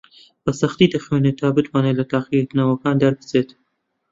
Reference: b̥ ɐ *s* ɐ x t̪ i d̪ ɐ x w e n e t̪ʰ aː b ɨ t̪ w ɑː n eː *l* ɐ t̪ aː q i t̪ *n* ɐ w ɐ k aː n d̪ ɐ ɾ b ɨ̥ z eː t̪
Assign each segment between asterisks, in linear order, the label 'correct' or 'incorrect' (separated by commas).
correct, correct, correct